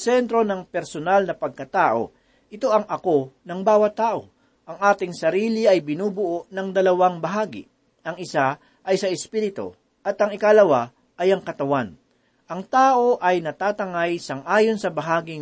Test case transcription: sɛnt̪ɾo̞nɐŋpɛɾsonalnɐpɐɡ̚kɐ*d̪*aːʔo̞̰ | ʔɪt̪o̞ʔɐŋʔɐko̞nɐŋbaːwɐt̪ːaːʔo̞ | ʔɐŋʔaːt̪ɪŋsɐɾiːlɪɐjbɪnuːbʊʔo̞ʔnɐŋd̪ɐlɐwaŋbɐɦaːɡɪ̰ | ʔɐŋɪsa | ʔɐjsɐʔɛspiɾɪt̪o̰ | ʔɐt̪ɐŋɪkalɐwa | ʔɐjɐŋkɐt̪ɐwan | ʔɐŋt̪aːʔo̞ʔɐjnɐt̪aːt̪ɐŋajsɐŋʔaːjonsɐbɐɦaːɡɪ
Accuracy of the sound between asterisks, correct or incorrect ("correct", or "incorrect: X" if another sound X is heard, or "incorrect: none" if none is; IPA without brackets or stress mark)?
incorrect: t̪